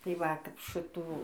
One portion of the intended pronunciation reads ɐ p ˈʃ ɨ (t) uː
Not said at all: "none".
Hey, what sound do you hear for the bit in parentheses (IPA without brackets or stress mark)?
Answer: t